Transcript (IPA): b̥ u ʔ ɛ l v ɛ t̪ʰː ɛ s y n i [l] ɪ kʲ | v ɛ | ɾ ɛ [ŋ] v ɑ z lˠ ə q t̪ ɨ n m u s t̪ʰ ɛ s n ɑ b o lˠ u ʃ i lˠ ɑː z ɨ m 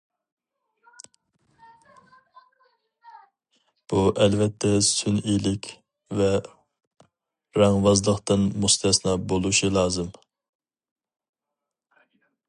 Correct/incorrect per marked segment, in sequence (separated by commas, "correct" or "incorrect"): correct, correct